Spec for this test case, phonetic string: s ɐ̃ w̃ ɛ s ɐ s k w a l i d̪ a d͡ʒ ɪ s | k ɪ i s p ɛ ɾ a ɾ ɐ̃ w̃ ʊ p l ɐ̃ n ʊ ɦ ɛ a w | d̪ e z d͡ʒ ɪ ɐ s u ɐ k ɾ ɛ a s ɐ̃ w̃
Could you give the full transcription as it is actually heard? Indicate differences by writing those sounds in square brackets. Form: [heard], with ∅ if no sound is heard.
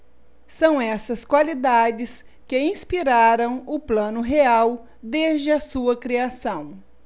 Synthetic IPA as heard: s ɐ̃ w̃ ɛ s ɐ s k w a l i d̪ a d͡ʒ ɪ s | k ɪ [ĩ] s p [i] ɾ a ɾ ɐ̃ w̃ ʊ p l ɐ̃ n ʊ ɦ [e] a w | d̪ e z d͡ʒ ɪ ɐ s u ɐ k ɾ [i] a s ɐ̃ w̃